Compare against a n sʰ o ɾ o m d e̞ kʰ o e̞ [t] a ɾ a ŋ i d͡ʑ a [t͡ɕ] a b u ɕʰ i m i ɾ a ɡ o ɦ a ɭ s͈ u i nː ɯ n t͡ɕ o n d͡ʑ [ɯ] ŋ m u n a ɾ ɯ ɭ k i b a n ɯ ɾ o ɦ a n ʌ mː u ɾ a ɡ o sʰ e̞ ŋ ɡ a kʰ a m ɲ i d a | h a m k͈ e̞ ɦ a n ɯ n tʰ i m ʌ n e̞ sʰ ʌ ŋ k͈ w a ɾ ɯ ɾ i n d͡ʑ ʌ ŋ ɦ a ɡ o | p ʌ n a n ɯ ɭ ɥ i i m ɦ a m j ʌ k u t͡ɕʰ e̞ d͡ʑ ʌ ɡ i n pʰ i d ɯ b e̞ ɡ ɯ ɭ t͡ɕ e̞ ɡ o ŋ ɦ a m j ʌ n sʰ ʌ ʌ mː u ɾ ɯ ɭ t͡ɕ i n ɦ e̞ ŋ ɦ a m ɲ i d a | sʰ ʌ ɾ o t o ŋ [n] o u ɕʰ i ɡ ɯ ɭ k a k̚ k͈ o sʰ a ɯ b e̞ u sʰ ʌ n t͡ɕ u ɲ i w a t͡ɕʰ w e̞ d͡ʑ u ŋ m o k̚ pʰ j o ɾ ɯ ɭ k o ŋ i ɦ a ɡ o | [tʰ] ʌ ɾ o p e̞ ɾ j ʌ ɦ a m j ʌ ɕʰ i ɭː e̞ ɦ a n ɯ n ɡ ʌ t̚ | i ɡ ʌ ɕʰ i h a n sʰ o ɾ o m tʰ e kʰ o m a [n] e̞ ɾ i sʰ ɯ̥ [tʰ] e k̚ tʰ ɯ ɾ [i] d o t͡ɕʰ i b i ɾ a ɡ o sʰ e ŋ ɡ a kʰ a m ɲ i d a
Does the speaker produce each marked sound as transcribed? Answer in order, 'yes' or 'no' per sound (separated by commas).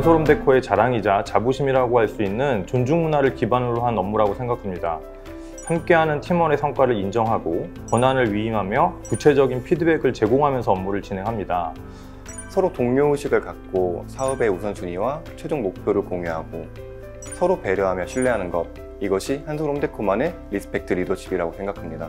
no, yes, no, no, no, yes, no, yes